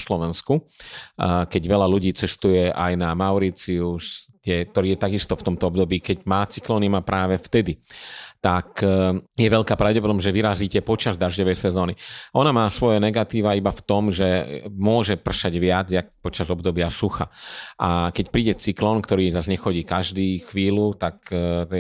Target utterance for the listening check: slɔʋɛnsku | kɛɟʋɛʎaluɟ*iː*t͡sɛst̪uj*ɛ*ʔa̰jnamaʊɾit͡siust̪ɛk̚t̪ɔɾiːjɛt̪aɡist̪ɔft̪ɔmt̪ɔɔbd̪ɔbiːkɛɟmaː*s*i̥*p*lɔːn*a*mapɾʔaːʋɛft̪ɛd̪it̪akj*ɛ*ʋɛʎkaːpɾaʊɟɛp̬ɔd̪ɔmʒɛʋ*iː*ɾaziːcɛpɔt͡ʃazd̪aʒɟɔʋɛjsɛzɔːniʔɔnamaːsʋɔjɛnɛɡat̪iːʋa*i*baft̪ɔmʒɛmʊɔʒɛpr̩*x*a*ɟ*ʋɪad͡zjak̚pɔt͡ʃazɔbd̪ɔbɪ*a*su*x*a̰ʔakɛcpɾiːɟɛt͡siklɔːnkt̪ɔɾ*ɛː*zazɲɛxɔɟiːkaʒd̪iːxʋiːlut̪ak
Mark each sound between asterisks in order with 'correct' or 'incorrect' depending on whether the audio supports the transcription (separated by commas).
correct, correct, incorrect, incorrect, incorrect, correct, incorrect, correct, incorrect, correct, correct, correct, incorrect